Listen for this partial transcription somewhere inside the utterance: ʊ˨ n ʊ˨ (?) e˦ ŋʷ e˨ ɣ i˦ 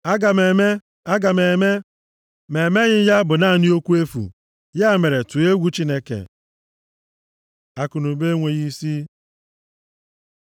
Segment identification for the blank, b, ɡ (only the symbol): b